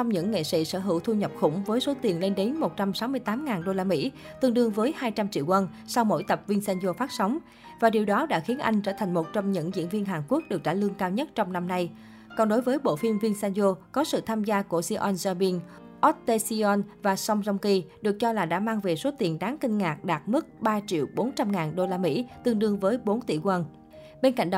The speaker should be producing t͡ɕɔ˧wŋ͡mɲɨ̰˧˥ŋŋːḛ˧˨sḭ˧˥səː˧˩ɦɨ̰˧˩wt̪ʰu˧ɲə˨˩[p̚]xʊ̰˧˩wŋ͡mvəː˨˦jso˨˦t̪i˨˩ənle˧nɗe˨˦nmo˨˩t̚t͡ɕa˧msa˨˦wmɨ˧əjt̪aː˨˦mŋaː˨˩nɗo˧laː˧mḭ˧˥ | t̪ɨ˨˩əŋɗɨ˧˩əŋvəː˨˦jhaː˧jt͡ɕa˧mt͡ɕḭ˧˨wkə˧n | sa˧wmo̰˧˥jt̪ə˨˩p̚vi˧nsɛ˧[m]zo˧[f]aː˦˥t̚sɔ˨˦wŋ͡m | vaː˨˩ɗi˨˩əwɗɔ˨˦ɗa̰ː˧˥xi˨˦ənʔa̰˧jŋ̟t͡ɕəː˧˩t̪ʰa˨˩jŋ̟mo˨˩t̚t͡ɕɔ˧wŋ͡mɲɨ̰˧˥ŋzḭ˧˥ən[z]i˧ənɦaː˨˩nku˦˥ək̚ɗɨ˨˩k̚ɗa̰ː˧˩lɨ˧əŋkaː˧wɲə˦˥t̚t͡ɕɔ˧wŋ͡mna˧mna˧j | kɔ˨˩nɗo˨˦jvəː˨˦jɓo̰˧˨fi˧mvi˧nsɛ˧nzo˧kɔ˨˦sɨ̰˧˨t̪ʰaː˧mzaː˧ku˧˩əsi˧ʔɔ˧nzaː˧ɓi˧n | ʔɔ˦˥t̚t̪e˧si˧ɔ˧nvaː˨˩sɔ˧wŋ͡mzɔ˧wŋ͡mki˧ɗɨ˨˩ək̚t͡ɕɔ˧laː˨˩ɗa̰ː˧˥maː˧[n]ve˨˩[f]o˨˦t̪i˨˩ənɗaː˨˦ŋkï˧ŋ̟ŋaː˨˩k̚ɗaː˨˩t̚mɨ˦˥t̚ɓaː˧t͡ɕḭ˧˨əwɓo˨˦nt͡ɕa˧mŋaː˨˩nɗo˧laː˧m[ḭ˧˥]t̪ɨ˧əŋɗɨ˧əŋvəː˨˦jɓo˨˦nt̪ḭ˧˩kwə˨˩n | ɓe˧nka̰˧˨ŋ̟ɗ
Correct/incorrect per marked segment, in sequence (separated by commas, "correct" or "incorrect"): correct, incorrect, correct, incorrect, incorrect, incorrect, correct